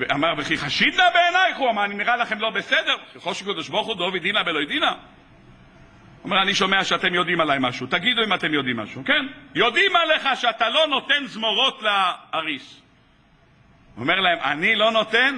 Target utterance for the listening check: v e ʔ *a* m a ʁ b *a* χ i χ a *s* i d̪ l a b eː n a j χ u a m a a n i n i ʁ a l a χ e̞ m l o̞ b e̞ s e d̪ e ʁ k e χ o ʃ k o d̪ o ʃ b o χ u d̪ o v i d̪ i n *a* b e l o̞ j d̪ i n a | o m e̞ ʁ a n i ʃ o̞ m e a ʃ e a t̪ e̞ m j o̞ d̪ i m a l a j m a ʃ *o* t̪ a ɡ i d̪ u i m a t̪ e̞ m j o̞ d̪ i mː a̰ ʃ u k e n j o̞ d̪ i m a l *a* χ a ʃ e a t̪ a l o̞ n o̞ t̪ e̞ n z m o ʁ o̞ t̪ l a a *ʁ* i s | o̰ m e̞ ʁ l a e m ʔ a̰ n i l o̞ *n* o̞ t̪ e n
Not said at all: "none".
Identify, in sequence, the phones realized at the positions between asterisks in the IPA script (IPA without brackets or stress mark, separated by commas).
a, e, ʃ, a, u, e, ʁ, n